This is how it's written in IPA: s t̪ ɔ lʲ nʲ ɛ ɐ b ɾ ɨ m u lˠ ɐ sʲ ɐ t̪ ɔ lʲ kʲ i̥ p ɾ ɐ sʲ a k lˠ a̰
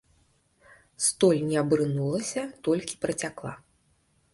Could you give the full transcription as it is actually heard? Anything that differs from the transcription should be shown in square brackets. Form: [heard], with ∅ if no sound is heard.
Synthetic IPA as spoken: s t̪ ɔ lʲ nʲ ɛ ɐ b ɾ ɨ [n] u lˠ ɐ sʲ ɐ t̪ ɔ lʲ kʲ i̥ p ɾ ɐ [t͡sʲ] a k lˠ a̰